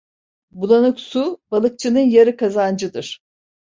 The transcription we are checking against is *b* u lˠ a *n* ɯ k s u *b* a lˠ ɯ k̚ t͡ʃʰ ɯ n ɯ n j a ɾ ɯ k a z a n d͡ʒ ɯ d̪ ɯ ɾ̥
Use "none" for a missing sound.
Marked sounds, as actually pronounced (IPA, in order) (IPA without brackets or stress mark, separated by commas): b, n, b